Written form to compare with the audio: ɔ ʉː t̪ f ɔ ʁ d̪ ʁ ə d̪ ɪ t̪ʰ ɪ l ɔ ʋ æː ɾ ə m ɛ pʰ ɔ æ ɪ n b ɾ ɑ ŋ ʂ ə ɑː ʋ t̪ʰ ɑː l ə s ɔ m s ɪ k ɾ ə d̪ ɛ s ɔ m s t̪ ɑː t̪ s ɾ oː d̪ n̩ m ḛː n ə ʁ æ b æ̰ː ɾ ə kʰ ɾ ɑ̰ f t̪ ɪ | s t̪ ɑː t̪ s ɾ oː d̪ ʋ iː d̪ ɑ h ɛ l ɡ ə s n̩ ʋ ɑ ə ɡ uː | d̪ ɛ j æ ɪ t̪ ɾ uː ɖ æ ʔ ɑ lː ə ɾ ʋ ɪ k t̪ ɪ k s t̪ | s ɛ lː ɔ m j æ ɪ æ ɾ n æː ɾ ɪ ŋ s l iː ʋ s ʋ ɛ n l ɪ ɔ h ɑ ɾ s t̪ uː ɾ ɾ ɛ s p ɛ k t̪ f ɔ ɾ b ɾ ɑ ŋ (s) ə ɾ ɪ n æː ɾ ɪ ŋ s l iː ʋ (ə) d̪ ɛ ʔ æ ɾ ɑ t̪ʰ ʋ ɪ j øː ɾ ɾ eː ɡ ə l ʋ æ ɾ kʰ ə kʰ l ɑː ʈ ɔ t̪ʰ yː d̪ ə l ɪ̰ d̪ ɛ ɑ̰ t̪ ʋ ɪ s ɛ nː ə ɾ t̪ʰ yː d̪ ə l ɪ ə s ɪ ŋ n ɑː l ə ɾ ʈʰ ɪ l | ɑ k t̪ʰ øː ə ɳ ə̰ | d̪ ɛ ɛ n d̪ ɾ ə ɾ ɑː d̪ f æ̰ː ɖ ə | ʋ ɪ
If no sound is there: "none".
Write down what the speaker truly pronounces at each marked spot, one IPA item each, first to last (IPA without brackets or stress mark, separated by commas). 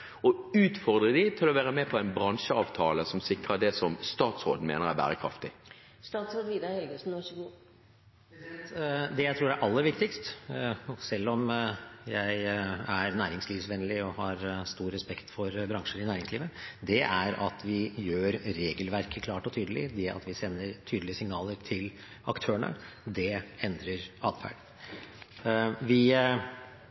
ʂ, ə